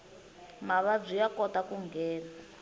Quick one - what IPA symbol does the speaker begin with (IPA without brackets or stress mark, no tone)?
m